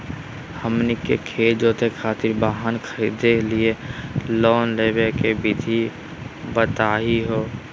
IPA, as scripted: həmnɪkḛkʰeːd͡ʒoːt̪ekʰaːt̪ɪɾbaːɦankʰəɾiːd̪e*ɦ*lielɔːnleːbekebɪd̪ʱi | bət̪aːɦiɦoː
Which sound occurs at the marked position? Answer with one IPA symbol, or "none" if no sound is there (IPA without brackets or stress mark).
none